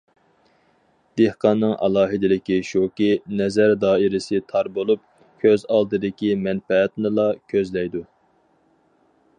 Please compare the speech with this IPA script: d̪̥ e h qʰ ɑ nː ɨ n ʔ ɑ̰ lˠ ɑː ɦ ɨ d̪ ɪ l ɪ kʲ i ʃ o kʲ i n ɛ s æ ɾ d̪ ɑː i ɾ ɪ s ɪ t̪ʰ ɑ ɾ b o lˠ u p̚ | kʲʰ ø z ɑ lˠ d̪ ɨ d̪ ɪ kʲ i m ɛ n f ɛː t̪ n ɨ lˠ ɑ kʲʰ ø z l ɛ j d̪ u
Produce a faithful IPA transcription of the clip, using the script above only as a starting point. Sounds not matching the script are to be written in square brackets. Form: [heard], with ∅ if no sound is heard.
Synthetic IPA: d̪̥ e h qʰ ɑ nː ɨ [ŋ] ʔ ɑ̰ lˠ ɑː ɦ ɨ d̪ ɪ l ɪ kʲ i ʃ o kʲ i n ɛ [z] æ ɾ d̪ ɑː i ɾ ɪ s ɪ t̪ʰ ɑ ɾ b o lˠ u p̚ | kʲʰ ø z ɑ lˠ d̪ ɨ d̪ ɪ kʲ i m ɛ n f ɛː t̪ n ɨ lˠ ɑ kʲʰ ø z l ɛ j d̪ u